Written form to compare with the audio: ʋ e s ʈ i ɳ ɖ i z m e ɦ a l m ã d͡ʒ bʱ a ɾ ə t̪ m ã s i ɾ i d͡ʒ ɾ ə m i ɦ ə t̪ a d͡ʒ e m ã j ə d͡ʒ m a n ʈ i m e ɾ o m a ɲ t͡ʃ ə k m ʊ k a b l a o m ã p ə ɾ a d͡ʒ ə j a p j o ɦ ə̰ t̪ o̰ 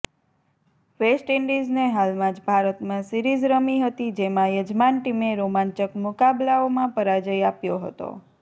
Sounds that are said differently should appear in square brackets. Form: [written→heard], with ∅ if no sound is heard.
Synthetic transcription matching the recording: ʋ e s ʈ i ɳ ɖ i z [m→n] e ɦ a l m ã d͡ʒ bʱ a ɾ ə t̪ m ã s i ɾ i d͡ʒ ɾ ə m i ɦ ə t̪ [a→i] d͡ʒ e m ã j ə d͡ʒ m a n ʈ i m e ɾ o m a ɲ t͡ʃ ə k m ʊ k a b l a o m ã p ə ɾ a d͡ʒ ə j a p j o ɦ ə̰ t̪ o̰